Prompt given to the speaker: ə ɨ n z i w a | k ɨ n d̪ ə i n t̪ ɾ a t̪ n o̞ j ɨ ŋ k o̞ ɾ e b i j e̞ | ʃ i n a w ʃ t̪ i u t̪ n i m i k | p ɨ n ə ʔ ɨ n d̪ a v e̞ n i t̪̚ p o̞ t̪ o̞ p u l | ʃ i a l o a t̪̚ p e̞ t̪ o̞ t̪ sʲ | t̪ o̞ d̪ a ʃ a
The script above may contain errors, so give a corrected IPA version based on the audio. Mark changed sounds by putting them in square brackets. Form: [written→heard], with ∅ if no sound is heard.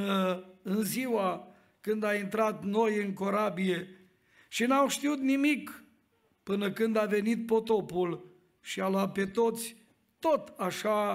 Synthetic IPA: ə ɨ n z i w a | k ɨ n d̪ [ə→a] i n t̪ ɾ a t̪ n o̞ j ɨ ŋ k o̞ ɾ [e→a] b i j e̞ | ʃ i n a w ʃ t̪ i u t̪ n i m i k | p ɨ n ə [ʔ→k] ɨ n d̪ a v e̞ n i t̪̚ p o̞ t̪ o̞ p u l | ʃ i a l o a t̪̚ p e̞ t̪ o̞ t̪ sʲ | t̪ o̞ [d̪→t̪] a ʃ a